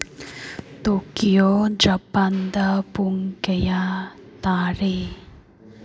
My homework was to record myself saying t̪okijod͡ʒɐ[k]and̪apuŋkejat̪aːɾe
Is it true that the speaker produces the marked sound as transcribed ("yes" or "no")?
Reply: no